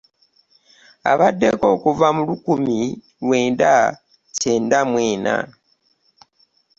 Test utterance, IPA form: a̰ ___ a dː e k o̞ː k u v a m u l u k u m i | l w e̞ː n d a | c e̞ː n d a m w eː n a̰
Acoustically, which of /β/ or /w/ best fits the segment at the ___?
β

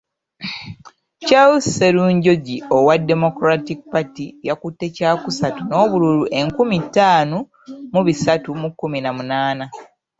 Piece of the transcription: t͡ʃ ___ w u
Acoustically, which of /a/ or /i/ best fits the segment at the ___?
a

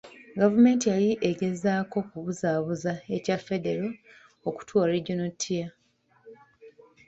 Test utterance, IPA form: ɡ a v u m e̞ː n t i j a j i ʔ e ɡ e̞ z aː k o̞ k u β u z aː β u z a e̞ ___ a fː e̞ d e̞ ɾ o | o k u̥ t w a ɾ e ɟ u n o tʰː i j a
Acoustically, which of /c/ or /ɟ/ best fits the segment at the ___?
c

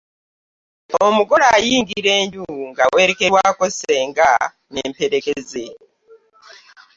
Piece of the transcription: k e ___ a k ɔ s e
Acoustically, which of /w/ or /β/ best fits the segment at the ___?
w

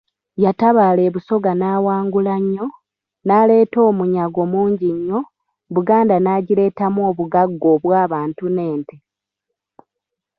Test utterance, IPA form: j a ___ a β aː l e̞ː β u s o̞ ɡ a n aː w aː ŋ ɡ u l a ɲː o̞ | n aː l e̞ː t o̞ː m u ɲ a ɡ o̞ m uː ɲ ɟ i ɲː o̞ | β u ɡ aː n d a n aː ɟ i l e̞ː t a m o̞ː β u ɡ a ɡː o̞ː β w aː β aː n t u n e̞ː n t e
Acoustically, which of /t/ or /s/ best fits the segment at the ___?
t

